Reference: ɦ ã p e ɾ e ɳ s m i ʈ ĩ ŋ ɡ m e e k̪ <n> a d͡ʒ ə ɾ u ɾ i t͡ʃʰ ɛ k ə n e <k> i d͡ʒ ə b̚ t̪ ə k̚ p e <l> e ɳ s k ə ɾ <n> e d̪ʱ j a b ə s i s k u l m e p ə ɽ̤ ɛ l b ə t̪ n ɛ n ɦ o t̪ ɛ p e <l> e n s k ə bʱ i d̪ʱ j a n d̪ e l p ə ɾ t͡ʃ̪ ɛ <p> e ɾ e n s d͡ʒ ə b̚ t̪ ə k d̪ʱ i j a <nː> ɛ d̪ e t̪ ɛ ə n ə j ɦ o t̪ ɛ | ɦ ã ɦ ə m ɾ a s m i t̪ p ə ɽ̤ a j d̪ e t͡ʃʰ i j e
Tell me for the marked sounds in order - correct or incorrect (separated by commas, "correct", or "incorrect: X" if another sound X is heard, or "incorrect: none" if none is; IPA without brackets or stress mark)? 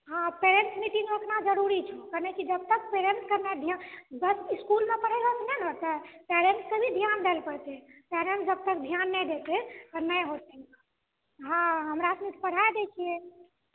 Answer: correct, correct, incorrect: ɾ, correct, incorrect: ɾ, correct, correct